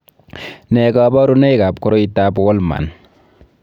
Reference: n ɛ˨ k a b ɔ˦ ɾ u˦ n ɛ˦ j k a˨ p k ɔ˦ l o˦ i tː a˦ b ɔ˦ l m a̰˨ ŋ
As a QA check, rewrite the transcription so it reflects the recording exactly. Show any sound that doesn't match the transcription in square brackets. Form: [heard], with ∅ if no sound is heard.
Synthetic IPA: n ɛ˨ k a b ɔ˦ ɾ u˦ n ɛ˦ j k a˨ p k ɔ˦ [ɾ] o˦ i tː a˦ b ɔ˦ l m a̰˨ [n]